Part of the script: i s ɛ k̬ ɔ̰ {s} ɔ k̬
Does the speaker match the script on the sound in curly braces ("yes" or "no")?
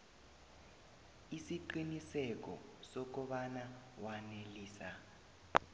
yes